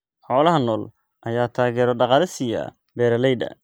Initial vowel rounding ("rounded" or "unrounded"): rounded